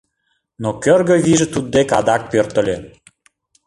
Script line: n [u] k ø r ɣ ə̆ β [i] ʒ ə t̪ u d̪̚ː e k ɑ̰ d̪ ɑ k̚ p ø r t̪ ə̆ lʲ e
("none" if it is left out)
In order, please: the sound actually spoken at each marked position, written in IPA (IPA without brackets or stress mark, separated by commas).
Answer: o, i